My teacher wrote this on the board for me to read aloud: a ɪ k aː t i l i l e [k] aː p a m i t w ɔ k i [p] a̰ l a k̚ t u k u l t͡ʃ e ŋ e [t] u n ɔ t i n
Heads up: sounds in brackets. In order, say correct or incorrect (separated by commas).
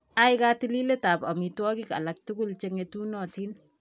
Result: incorrect, incorrect, correct